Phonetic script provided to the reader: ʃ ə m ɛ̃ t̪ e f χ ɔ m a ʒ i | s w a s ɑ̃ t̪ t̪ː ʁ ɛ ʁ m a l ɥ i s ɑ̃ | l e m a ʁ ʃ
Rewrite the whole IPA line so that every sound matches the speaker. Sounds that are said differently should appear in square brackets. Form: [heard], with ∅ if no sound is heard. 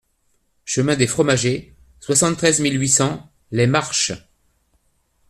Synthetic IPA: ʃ ə m ɛ̃ [d̪] e f χ ɔ m a ʒ [e] | s w a s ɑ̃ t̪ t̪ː [χ] ɛ [z] m [i] l ɥ i s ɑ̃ | l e m a ʁ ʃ